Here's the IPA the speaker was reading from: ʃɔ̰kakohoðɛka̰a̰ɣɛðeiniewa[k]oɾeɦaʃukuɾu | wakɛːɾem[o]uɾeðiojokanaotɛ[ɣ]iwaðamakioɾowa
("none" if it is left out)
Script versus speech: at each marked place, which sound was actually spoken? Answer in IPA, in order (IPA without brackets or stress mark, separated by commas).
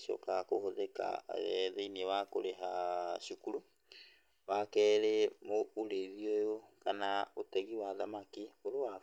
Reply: k, o, ɣ